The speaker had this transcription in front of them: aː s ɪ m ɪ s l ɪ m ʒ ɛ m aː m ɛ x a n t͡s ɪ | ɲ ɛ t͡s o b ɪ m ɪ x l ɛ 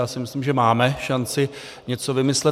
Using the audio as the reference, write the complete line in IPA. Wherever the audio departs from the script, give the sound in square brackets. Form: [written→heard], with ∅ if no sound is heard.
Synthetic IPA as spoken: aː s ɪ m ɪ s l [ɪ→i] m ʒ ɛ m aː m ɛ [x→ʃ] a n t͡s ɪ | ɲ ɛ t͡s o [b→v] ɪ m ɪ [x→s] l ɛ